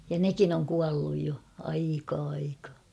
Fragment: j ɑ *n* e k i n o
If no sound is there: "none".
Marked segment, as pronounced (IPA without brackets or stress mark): n